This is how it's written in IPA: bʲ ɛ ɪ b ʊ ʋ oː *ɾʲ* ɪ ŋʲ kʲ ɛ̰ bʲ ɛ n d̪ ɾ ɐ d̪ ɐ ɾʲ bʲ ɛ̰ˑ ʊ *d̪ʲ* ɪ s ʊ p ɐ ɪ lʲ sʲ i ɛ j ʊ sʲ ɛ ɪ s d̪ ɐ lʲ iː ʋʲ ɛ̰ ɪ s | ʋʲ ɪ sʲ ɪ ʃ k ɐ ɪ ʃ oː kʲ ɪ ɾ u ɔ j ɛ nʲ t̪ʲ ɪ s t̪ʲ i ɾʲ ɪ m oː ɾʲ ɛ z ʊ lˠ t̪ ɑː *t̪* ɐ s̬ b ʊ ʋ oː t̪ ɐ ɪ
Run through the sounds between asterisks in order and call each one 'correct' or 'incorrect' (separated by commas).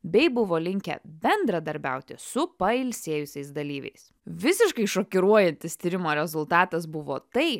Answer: incorrect, incorrect, correct